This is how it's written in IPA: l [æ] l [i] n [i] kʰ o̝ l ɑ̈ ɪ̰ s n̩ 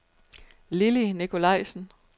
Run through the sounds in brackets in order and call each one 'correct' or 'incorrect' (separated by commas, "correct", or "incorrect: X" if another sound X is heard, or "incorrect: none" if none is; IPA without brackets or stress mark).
incorrect: i, correct, correct